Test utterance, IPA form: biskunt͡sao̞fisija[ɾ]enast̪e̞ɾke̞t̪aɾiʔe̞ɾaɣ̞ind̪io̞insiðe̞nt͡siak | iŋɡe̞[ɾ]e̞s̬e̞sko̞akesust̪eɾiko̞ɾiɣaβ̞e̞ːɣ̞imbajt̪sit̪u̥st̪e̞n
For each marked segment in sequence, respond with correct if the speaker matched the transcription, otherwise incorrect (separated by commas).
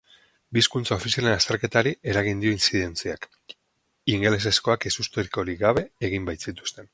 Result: incorrect, incorrect